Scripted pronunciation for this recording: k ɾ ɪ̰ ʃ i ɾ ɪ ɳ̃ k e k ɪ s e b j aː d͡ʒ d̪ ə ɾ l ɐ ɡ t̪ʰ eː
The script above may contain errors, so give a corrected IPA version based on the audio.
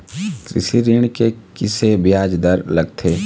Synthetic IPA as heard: k ɾ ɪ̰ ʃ i ɾ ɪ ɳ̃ k e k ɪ s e b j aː d͡ʒ d̪ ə ɾ l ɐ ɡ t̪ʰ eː

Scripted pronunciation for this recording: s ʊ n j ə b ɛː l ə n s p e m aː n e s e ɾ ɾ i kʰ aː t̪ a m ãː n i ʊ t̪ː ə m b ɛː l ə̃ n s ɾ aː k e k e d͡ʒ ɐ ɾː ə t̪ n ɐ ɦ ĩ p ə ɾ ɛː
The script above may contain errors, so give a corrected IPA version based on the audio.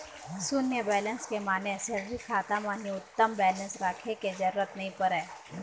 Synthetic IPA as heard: s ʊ n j ə b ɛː l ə n s k e m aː n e s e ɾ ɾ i kʰ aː t̪ a m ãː n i ʊ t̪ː ə m b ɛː l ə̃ n s ɾ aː kʰ e k e d͡ʒ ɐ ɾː ə t̪ n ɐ ɦ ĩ p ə ɾ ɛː

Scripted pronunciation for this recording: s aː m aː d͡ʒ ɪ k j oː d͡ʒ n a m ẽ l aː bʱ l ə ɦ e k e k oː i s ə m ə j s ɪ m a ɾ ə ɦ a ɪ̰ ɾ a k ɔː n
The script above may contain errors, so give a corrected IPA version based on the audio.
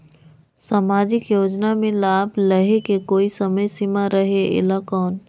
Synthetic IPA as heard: s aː m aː d͡ʒ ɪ k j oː d͡ʒ n a m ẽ l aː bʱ l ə ɦ e k e k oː i s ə m ə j s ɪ m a ɾ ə ɦ e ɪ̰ l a k ɔː n

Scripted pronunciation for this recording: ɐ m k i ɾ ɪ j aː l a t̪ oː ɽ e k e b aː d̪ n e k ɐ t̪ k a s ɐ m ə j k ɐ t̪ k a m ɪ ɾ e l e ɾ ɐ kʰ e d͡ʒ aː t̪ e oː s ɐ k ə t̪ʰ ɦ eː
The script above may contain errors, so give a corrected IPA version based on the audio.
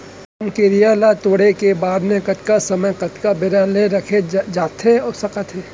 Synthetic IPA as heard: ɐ m k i ɾ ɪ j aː l a t̪ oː ɽ e k e b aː d̪ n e k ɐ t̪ k a s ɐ m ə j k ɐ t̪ k a b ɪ ɾ a l e ɾ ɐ kʰ e d͡ʒ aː t̪ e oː s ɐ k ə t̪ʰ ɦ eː

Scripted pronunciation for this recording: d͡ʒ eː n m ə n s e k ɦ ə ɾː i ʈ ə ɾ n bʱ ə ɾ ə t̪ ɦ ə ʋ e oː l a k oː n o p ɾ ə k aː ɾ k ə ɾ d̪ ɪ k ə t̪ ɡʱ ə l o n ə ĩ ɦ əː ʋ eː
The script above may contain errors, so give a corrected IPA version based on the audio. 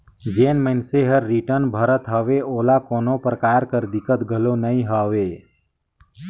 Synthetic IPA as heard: d͡ʒ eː n m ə n s e ɦ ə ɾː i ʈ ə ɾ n bʱ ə ɾ ə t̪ ɦ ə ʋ e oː l a k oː n o p ɾ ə k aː ɾ k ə ɾ d̪ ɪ k ə t̪ ɡʱ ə l o n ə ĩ ɦ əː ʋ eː

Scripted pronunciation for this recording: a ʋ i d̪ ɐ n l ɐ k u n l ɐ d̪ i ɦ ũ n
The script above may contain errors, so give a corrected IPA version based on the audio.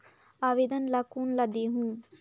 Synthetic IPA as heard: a ʋ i d̪ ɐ n l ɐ k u n l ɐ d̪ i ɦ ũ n

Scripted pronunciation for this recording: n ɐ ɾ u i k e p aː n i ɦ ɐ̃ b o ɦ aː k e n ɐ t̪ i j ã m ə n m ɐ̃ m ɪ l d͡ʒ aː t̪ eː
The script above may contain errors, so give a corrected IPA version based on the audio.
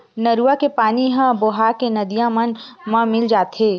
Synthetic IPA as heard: n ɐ ɾ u a k e p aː n i ɦ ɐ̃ b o ɦ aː k e n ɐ d̪ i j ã m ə n m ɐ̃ m ɪ l d͡ʒ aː t̪ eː

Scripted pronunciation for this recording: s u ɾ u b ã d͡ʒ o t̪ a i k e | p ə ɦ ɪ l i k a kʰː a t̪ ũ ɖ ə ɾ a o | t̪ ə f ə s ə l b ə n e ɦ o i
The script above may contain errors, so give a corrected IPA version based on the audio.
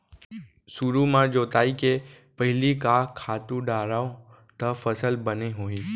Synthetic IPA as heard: s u ɾ u m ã d͡ʒ o t̪ a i k e | p ə ɦ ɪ l i k a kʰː a t̪ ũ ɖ a ɾ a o | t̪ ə f ə s ə l b ə n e ɦ o i

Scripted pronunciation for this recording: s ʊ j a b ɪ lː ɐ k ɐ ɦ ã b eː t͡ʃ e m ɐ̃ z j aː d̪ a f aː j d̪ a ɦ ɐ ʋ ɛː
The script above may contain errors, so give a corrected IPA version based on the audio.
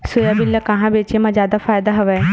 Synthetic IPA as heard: s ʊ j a b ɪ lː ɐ k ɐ ɦ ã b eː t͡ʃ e m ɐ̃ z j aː d̪ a f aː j d̪ a ɦ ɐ ʋ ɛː

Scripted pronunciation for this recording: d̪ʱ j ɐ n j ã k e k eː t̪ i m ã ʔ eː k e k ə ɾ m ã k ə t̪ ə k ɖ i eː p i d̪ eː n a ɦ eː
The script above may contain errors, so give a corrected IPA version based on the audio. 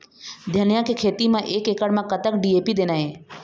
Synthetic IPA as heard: d̪ʱ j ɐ n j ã k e kʰ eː t̪ i m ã ʔ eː k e k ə ɽ m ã k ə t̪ ə k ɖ i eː p i d̪ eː n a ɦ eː

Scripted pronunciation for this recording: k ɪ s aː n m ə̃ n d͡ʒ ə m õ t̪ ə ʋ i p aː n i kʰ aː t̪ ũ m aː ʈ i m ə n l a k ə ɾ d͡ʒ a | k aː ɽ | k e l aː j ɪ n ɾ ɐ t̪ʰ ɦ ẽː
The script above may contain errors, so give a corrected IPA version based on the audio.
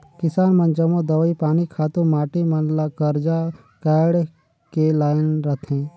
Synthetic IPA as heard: k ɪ s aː n m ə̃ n d͡ʒ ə m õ d̪ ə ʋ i p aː n i kʰ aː t̪ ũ m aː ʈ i m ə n l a k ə ɾ d͡ʒ a | k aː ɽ | k e l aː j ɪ n ɾ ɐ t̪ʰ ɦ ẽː

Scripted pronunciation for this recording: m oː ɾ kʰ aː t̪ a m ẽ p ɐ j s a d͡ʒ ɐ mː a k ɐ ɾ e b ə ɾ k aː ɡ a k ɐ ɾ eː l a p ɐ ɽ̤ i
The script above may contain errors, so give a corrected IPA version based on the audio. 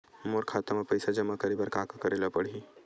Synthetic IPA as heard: m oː ɾ kʰ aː t̪ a m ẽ p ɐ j s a d͡ʒ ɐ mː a k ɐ ɾ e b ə ɾ k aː k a k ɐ ɾ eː l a p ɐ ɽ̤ i

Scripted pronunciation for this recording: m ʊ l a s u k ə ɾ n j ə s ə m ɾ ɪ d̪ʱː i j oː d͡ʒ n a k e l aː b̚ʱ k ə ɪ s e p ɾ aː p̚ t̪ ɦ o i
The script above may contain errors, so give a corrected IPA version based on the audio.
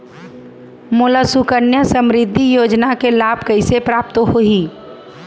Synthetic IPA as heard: m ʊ l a s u k ə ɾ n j ə s ə m ɾ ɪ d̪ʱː i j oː d͡ʒ n a k e l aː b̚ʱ k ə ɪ s e p ɾ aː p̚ t̪ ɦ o i

